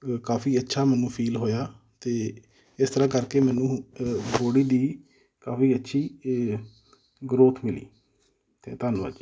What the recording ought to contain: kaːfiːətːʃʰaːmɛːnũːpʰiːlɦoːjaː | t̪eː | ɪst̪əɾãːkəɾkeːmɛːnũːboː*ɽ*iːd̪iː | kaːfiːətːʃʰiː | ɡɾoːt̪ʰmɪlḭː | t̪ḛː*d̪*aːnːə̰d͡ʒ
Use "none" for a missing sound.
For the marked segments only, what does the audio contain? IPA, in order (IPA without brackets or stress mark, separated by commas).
ɽ, t̪